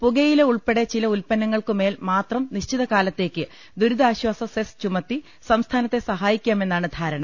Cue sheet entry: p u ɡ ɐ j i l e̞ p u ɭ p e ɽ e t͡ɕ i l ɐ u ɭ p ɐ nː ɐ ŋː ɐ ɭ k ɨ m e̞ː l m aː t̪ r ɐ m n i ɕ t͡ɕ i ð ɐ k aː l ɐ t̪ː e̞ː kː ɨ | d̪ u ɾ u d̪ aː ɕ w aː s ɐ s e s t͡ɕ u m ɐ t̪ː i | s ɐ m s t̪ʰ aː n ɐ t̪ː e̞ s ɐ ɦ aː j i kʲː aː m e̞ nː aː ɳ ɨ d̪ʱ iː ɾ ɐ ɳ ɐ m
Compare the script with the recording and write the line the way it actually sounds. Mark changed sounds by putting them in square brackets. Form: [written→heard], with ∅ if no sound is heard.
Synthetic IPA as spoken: p u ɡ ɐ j i l e̞ [p→∅] u ɭ p e ɽ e t͡ɕ i l ɐ u [ɭ→l] p ɐ nː ɐ ŋː ɐ ɭ k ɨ m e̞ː l m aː t̪ r ɐ m n i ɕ t͡ɕ i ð ɐ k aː l ɐ t̪ː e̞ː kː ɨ | d̪ u ɾ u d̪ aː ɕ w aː s ɐ s e s t͡ɕ u m ɐ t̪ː i | s ɐ m s t̪ʰ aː n ɐ t̪ː e̞ s ɐ ɦ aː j i kʲː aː m e̞ nː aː ɳ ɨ d̪ʱ [iː→aː] ɾ ɐ ɳ ɐ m